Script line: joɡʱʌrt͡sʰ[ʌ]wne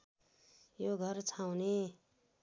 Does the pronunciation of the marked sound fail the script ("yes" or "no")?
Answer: yes